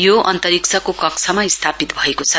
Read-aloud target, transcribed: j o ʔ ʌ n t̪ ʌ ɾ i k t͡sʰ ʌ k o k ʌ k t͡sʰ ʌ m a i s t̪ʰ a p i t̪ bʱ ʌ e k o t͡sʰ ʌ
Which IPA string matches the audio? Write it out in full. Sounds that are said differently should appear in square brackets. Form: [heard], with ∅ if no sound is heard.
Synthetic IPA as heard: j o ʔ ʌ n t̪ ʌ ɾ i k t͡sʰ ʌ k o k ʌ k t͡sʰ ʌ m a i s t̪ʰ a p i t̪ bʱ ʌ e k o t͡sʰ ʌ

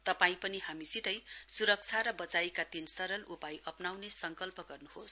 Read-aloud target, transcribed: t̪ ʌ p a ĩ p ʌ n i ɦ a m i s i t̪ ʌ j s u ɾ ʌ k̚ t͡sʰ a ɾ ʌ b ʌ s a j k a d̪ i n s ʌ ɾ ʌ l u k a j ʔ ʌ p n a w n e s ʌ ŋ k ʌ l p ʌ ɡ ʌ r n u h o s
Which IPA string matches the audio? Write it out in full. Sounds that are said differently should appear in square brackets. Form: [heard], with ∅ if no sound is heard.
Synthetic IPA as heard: t̪ ʌ p a ĩ p ʌ n i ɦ a m i s i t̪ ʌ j s u ɾ ʌ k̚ t͡sʰ a ɾ ʌ b ʌ [t͡s] a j k a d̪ i n s ʌ ɾ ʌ l u [p] a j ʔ ʌ p n a w n e s ʌ ŋ k ʌ l p ʌ ɡ ʌ r n u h o s

